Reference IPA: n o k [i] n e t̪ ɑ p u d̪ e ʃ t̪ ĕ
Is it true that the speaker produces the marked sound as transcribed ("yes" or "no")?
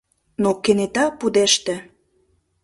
no